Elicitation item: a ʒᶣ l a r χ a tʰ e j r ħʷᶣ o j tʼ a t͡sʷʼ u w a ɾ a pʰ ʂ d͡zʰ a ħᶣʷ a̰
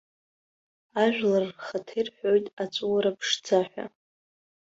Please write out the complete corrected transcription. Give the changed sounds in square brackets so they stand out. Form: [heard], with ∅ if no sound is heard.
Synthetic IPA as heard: a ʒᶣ l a r χ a tʰ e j r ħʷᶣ o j tʼ a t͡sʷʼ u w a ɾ a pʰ ʂ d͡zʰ a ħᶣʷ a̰